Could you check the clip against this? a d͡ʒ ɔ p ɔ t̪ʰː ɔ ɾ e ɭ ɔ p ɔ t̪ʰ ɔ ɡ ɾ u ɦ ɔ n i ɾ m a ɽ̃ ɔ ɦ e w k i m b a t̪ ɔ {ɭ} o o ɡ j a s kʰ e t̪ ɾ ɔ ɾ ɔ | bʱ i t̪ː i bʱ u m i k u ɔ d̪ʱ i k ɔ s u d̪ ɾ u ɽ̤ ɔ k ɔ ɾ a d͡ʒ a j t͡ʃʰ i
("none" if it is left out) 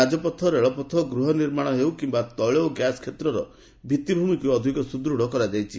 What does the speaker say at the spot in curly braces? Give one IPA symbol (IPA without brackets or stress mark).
ɭ